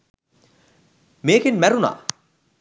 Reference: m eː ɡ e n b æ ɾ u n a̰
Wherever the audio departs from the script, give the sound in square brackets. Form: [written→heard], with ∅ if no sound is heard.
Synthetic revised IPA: m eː [ɡ→k] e n [b→m] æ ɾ u n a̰